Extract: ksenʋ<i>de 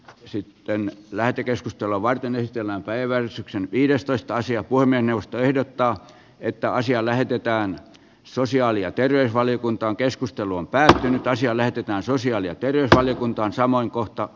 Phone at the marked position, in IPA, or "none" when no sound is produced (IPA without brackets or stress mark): iː